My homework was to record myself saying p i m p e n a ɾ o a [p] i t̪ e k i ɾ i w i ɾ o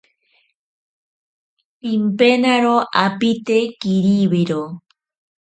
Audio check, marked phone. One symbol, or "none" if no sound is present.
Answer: p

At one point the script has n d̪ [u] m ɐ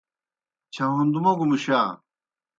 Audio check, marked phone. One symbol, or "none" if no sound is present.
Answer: u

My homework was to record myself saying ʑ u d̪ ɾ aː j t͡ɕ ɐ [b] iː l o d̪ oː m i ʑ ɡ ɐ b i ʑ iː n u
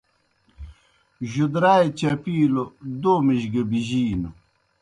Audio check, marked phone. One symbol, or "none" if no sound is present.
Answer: p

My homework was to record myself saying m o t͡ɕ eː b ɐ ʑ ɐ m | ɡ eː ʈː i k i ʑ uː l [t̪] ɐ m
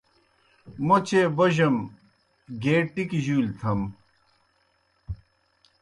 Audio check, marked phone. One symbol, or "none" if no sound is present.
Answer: t̪ʰ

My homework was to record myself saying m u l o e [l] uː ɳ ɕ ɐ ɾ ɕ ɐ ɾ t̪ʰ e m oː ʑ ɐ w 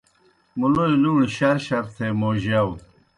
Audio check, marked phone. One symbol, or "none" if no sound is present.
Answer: l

